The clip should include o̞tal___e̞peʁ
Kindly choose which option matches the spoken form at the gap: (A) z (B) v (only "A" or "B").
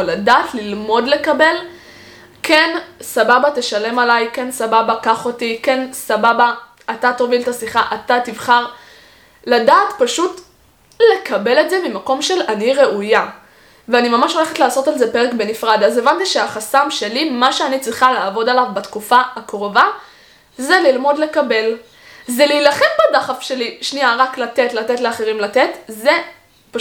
A